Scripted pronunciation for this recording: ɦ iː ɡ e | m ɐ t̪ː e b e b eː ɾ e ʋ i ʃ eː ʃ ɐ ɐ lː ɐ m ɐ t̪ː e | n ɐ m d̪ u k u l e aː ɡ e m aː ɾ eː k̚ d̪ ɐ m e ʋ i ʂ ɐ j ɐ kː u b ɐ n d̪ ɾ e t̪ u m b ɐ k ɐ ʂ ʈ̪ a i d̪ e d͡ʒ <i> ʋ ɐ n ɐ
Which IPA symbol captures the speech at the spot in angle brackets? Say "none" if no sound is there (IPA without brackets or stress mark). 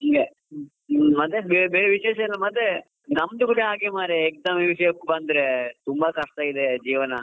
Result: iː